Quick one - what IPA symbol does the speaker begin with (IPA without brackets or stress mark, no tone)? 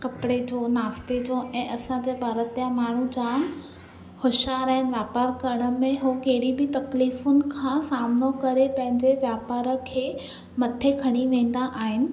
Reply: k